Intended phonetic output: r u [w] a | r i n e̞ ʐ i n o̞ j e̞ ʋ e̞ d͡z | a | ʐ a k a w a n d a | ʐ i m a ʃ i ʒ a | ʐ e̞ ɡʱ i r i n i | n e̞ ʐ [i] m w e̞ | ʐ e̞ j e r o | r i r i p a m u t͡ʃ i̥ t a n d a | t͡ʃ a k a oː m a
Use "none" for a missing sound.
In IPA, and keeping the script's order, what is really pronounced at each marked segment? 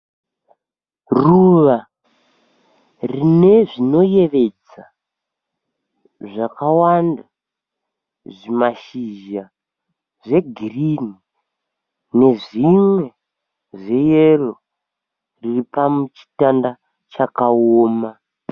ʋ, i

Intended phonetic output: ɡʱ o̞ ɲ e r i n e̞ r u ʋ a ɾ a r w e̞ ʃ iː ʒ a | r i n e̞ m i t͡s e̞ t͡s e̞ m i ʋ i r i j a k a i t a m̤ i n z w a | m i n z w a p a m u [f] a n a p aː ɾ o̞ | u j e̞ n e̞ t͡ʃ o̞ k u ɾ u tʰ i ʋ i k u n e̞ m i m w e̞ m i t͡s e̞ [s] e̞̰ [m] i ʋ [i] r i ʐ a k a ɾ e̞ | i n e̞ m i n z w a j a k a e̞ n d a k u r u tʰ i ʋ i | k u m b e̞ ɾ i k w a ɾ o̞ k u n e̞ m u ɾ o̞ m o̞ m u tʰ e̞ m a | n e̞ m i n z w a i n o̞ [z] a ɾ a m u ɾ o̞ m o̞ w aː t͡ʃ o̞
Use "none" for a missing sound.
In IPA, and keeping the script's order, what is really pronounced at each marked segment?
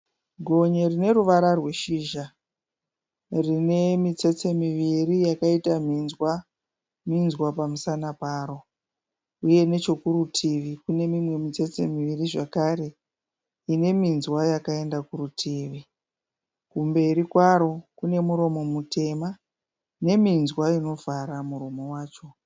s, t͡s, m, i, v

